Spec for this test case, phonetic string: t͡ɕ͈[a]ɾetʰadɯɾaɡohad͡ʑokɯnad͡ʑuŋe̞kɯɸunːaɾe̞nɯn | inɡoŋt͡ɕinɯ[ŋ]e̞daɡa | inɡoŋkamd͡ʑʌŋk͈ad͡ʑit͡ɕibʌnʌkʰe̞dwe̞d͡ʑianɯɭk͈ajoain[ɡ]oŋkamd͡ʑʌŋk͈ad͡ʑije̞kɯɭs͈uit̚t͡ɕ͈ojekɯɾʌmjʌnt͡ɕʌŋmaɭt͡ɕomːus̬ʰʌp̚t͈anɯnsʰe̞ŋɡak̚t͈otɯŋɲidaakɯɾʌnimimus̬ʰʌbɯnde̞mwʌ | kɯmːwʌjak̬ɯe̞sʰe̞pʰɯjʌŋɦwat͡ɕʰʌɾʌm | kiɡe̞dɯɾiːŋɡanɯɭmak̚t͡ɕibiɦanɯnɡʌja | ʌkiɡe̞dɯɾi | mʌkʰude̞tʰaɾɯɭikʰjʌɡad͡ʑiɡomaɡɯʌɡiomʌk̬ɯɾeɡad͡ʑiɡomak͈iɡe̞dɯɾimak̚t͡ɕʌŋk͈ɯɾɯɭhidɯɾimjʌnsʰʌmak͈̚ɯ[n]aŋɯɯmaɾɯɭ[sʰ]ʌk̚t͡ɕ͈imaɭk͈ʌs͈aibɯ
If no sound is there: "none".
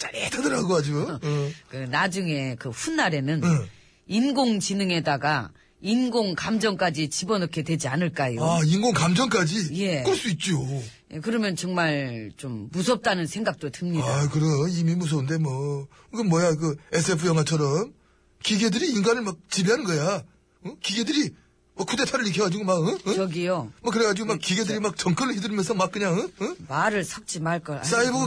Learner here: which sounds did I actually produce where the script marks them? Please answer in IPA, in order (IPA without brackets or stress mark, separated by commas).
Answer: a, ŋ, ɡ, ɲ, sʰ